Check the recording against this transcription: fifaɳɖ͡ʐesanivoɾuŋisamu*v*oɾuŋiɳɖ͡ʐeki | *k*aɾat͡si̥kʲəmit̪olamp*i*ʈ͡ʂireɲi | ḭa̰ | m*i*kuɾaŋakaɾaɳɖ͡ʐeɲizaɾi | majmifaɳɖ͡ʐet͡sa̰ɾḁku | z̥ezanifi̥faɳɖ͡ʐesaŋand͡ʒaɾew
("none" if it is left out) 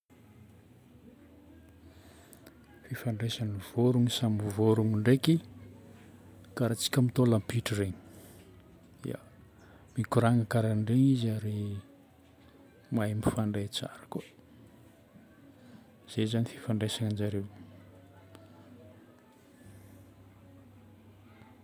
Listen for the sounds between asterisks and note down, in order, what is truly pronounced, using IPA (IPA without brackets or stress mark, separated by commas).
v, k, i, i